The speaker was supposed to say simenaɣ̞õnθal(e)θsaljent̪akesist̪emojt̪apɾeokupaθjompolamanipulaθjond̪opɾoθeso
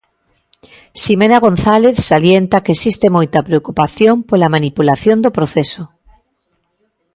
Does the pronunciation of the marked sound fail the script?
no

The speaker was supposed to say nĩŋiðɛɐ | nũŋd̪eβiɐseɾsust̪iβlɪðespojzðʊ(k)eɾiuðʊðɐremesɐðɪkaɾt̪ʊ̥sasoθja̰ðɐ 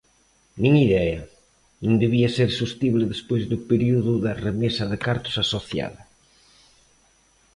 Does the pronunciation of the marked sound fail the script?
yes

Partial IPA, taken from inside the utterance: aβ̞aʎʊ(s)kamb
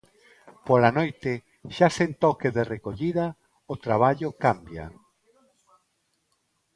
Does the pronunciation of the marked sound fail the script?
yes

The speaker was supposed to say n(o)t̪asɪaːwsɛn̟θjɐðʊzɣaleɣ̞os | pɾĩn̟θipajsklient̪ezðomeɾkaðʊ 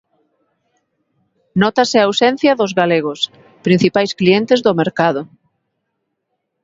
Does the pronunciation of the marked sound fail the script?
yes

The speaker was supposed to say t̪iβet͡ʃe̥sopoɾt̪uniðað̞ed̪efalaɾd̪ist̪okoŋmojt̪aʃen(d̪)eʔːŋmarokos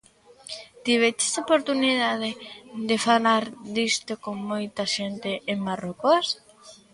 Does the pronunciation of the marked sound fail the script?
yes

